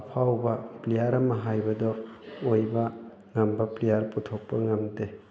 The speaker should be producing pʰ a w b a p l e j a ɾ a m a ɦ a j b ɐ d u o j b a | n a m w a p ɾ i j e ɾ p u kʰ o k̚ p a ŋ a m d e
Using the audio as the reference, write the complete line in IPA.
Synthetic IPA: pʰ a w b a p l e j a ɾ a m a ɦ a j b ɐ d ɔ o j b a | ŋ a m b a p l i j a ɾ p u tʰ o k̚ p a ŋ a m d e